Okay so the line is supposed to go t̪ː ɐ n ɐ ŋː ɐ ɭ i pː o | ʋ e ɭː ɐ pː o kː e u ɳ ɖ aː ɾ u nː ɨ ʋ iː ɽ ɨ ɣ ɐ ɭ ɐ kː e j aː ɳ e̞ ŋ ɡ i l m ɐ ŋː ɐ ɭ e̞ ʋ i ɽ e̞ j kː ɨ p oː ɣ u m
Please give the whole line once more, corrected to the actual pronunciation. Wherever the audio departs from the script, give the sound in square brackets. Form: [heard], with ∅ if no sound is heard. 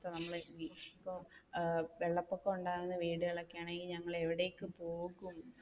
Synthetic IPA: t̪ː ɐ n ɐ [mː] ɐ ɭ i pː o | ʋ e ɭː ɐ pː o kː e u ɳ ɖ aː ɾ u nː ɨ ʋ iː ɽ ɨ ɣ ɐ ɭ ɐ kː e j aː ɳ e̞ ŋ ɡ i l [ɲ] ɐ ŋː ɐ ɭ e̞ ʋ i ɽ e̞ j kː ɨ p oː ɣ u m